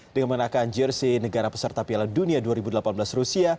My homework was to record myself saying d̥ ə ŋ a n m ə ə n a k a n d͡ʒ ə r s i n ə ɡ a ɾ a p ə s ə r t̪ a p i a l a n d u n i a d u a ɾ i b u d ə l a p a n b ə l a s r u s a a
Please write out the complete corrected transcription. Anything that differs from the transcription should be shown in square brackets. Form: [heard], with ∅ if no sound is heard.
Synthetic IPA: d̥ ə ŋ a n m ə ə n a k a n d͡ʒ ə r s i n ə ɡ a ɾ a p ə s ə r t̪ a p i a l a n d u n i a d u a ɾ i b u d ə l a p a n b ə l a s r u s [i] a